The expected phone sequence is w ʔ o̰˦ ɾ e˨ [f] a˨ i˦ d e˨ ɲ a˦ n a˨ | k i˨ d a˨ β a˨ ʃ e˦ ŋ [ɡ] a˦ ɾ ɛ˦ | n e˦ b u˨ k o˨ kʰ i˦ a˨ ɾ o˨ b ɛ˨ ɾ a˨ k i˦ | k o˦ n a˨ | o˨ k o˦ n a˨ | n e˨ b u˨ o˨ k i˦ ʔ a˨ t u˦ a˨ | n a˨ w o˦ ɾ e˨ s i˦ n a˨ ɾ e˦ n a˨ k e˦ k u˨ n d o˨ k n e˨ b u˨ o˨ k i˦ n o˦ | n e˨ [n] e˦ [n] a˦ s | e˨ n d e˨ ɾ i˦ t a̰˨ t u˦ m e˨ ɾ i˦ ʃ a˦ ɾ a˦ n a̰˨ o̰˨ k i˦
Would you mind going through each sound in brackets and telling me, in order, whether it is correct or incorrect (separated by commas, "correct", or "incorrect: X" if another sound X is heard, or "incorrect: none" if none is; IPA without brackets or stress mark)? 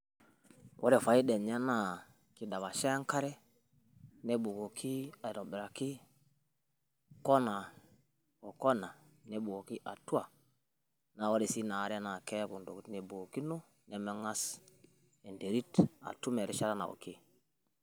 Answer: correct, incorrect: k, incorrect: m, incorrect: ŋ